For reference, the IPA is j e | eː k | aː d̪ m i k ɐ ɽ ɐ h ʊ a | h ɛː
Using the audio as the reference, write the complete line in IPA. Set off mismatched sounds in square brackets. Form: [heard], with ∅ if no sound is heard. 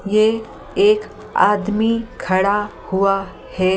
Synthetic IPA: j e | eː k | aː d̪ m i [kʰ] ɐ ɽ [a] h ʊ a | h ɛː